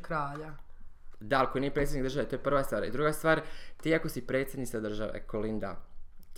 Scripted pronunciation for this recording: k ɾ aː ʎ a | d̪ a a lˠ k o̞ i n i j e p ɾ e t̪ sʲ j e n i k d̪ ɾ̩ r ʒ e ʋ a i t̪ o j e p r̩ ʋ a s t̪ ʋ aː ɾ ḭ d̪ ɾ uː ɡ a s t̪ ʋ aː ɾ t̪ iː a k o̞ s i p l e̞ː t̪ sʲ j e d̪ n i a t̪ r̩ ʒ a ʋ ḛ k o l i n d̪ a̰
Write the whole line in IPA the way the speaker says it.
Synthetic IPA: k ɾ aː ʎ a | d̪ a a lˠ k o̞ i n i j e p ɾ e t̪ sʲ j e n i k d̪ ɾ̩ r ʒ a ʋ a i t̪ o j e p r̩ ʋ a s t̪ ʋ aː ɾ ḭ d̪ ɾ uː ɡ a s t̪ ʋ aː ɾ t̪ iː a k o̞ s i p ɾ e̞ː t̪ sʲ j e d̪ n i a d̪ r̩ ʒ a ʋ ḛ k o l i n d̪ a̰